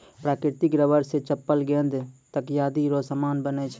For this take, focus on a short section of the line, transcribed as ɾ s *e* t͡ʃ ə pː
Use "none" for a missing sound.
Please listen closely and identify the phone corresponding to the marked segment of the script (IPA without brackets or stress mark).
e